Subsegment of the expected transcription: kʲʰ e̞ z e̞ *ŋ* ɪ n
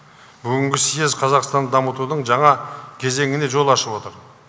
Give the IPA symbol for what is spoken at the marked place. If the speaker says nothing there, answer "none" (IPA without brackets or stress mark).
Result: ŋ